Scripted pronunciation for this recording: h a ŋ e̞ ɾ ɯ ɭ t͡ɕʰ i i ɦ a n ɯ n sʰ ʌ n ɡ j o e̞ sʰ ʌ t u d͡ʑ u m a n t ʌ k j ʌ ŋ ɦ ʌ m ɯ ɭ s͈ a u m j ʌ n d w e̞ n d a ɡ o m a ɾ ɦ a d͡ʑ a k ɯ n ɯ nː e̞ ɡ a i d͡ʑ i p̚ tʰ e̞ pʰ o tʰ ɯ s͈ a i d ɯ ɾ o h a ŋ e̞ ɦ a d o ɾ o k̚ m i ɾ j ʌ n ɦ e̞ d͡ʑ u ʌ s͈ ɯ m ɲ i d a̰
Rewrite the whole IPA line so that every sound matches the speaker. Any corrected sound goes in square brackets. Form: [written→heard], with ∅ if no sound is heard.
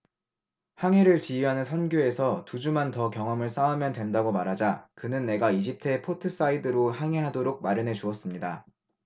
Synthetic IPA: h a ŋ e̞ ɾ ɯ ɭ [t͡ɕʰ→t͡ɕ] i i ɦ a n ɯ n sʰ ʌ n ɡ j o e̞ sʰ ʌ t u d͡ʑ u m a n t ʌ k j ʌ ŋ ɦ ʌ m ɯ ɭ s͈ a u m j ʌ n d w e̞ n d a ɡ o m a ɾ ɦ a d͡ʑ a k ɯ n ɯ nː e̞ ɡ a i d͡ʑ i p̚ tʰ e̞ pʰ o tʰ ɯ s͈ a i d ɯ ɾ o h a ŋ e̞ ɦ a d o ɾ o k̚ m [i→a] ɾ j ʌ n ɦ e̞ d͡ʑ u ʌ s͈ ɯ m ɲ i d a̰